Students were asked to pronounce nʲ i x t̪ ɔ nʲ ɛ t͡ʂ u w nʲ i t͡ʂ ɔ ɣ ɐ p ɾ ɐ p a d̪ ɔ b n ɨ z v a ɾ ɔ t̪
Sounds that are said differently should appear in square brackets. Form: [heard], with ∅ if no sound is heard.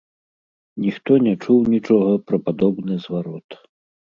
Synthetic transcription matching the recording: nʲ i x t̪ ɔ nʲ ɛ t͡ʂ u w nʲ i t͡ʂ ɔ ɣ ɐ p ɾ ɐ p a d̪ ɔ b n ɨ z v a ɾ ɔ t̪